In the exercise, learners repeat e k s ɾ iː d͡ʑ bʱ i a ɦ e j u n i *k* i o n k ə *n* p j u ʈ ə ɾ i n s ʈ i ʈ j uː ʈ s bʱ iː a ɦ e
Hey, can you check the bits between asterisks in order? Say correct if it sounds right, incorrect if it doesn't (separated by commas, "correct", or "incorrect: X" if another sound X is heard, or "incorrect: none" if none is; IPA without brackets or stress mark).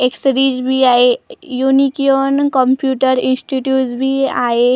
correct, incorrect: m